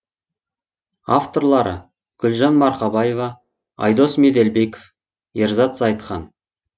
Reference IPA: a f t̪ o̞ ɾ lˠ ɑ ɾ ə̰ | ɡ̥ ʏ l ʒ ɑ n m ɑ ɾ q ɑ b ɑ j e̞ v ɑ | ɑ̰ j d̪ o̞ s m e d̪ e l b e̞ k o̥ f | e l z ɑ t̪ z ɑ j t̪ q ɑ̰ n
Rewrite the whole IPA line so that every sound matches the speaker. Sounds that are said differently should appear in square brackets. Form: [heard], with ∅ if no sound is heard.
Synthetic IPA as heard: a f t̪ o̞ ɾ lˠ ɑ ɾ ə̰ | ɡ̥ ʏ l ʒ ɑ n m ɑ ɾ q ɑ b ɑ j e̞ v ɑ | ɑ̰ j d̪ o̞ s m e d̪ e l b e̞ k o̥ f | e [ɾ] z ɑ t̪ z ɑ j t̪ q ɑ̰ n

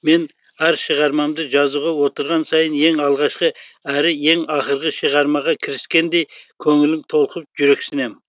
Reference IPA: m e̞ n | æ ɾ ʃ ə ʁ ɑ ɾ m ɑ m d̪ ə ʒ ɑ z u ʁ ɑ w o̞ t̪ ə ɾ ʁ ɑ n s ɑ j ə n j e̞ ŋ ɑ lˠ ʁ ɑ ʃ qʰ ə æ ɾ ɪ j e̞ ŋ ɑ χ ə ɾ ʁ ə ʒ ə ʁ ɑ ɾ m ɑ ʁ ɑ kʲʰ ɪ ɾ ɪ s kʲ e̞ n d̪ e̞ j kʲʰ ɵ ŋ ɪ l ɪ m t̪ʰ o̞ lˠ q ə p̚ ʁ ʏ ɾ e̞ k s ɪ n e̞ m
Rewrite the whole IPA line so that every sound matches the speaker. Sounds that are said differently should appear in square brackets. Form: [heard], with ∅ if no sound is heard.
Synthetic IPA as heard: m e̞ n | æ ɾ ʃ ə ʁ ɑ ɾ m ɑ m d̪ ə ʒ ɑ z u ʁ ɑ w o̞ t̪ ə ɾ ʁ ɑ n s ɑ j ə n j e̞ ŋ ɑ lˠ ʁ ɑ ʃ [q] ə æ ɾ ɪ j e̞ ŋ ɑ χ ə ɾ ʁ ə [ʃ] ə ʁ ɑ ɾ m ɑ ʁ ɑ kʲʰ ɪ ɾ ɪ s kʲ e̞ n d̪ e̞ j kʲʰ ɵ ŋ ɪ l ɪ m t̪ʰ o̞ lˠ q ə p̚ [ʒ] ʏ ɾ e̞ k s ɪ n e̞ m

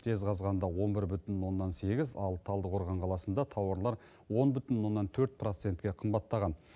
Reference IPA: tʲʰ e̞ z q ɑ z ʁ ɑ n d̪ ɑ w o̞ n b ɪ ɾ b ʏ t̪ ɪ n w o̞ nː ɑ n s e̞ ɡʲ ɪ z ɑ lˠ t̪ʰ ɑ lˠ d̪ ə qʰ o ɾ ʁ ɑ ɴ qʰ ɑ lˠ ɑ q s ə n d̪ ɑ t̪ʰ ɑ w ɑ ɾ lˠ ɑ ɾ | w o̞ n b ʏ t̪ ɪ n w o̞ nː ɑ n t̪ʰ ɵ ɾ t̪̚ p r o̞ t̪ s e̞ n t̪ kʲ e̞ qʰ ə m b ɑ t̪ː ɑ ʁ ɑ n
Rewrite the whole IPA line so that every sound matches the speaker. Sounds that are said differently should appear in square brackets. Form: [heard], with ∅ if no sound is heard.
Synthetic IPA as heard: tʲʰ e̞ z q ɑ z ʁ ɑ n d̪ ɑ w o̞ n b ɪ ɾ b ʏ t̪ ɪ n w o̞ nː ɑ n s e̞ ɡʲ ɪ z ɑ lˠ t̪ʰ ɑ lˠ d̪ ə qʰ o ɾ ʁ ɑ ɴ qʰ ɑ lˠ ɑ [∅] s ə n d̪ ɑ t̪ʰ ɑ w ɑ ɾ lˠ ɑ ɾ | w o̞ n b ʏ t̪ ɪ n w o̞ nː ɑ n t̪ʰ ɵ ɾ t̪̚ p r o̞ t̪ s e̞ n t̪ kʲ e̞ qʰ ə m b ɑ t̪ː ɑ ʁ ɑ n

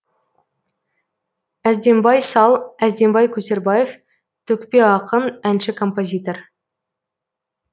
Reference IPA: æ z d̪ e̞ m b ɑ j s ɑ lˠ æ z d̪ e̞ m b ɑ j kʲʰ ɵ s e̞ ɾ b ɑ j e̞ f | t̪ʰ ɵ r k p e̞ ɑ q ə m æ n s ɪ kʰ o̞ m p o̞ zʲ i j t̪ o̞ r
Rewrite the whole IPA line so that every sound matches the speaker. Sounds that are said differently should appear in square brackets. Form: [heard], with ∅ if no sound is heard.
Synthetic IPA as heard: æ z d̪ e̞ m b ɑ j s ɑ lˠ æ z d̪ e̞ m b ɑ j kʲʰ ɵ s e̞ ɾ b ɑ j e̞ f | t̪ʰ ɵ [∅] k p e̞ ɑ q ə m æ n [ʃ] ɪ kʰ o̞ m p o̞ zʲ i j t̪ o̞ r

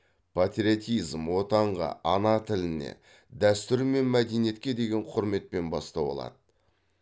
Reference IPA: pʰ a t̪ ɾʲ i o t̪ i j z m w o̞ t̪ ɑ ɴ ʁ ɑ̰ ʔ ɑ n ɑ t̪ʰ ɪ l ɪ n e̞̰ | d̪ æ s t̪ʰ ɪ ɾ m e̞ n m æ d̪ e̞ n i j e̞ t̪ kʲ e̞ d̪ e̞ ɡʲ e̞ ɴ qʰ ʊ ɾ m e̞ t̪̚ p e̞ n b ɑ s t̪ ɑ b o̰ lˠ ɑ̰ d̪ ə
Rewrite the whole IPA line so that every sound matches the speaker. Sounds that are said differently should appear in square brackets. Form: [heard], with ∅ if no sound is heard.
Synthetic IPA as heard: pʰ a t̪ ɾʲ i o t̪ i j z m w o̞ t̪ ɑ ɴ ʁ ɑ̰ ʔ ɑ n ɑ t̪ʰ ɪ l ɪ n e̞̰ | d̪ æ s [t̪] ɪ ɾ m e̞ n m æ d̪ e̞ n i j e̞ t̪ kʲ e̞ d̪ e̞ ɡʲ e̞ ɴ qʰ ʊ ɾ m e̞ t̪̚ p e̞ n b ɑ s t̪ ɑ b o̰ lˠ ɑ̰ d̪ ə

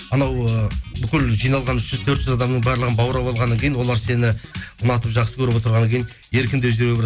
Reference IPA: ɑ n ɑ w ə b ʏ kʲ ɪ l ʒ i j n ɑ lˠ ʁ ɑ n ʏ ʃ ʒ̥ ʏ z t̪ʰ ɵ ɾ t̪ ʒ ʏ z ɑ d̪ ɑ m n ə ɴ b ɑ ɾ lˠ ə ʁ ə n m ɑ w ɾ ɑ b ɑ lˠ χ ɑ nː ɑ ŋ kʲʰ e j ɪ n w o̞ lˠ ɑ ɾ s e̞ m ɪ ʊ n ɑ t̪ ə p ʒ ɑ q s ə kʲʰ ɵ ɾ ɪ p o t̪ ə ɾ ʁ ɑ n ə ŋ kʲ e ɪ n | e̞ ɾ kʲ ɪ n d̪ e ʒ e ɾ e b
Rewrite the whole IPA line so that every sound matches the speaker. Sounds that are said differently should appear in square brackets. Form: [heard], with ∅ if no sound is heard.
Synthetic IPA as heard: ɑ n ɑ w ə b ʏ kʲ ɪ l ʒ i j n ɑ lˠ ʁ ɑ n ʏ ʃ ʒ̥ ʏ z t̪ʰ ɵ ɾ t̪ ʒ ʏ z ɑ d̪ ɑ m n ə ɴ b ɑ ɾ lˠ ə ʁ ə n [b] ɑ w ɾ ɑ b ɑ lˠ [ʁ] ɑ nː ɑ ŋ kʲʰ e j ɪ n w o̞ lˠ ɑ ɾ s e̞ [n] ɪ ʊ n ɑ t̪ ə p ʒ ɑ q s ə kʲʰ ɵ ɾ ɪ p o t̪ ə ɾ ʁ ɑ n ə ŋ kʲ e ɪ n | e̞ ɾ kʲ ɪ n d̪ e ʒ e ɾ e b

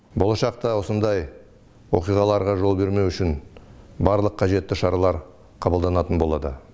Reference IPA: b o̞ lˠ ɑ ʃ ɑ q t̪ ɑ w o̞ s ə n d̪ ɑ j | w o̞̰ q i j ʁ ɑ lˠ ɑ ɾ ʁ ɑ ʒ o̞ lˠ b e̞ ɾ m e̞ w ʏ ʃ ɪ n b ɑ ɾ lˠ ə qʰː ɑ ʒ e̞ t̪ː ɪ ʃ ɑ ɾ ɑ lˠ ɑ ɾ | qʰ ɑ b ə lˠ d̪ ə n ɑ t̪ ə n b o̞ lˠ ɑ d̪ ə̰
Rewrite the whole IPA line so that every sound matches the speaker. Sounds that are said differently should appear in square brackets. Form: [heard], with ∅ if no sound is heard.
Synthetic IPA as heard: b o̞ lˠ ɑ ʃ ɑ q t̪ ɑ w o̞ s ə n d̪ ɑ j | w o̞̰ q i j ʁ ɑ lˠ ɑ ɾ ʁ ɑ ʒ o̞ lˠ b e̞ ɾ m e̞ w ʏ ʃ ɪ n b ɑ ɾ lˠ ə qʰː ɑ ʒ e̞ t̪ː ɪ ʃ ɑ ɾ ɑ lˠ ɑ ɾ | qʰ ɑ b ə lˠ d̪ [ɑ] n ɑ t̪ ə n b o̞ lˠ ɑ d̪ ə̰

